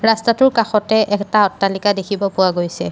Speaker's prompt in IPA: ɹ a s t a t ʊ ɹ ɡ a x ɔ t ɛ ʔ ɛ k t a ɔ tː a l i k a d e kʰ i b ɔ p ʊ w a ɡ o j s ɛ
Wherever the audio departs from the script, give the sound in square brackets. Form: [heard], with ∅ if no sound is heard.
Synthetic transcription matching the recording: ɹ a s t a t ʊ ɹ [k] a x ɔ t ɛ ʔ ɛ k t a ɔ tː a l i k a d e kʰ i b ɔ p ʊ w a ɡ o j s ɛ